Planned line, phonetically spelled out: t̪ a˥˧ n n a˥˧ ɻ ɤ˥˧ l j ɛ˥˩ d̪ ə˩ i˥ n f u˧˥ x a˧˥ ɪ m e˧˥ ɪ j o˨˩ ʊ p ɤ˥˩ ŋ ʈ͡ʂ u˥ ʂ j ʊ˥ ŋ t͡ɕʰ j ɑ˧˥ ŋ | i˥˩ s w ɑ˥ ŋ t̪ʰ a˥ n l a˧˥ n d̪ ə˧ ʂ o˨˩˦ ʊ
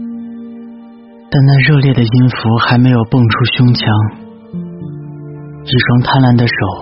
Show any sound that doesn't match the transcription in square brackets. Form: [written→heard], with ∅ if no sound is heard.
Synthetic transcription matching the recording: t̪ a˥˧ n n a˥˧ ɻ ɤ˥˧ l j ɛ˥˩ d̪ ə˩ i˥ n f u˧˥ x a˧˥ ɪ m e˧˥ ɪ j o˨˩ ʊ p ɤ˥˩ ŋ [ʈ͡ʂ→ʈ͡ʂʰ] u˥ [ʂ→ɕ] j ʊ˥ ŋ t͡ɕʰ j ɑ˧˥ ŋ | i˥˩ [s→ʂ] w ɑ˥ ŋ t̪ʰ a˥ n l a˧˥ n d̪ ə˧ ʂ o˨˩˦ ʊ